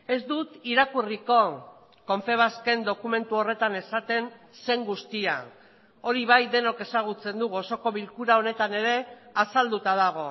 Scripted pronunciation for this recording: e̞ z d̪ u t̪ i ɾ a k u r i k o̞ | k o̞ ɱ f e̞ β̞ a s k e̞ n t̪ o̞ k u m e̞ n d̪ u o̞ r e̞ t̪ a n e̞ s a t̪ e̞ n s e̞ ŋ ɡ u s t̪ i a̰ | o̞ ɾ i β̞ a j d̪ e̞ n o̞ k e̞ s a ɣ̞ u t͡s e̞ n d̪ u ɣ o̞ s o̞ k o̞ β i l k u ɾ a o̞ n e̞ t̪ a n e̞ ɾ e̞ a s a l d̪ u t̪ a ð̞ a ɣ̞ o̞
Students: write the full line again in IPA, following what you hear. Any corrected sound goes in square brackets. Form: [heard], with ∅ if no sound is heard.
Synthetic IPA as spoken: e̞ z d̪ u t̪ i ɾ a k u r i k o̞ | k o̞ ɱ f e̞ β̞ a s k e̞ n [d̪] o̞ k u m e̞ n [t̪] u o̞ r e̞ t̪ a n e̞ s a t̪ e̞ n s e̞ ŋ ɡ u s t̪ i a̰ | o̞ ɾ i β̞ a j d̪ e̞ n o̞ k e̞ s a ɣ̞ u t͡s e̞ n d̪ u ɣ o̞ s o̞ k o̞ β i l k u ɾ a o̞ n e̞ t̪ a n e̞ ɾ e̞ a s a l d̪ u t̪ a ð̞ a ɣ̞ o̞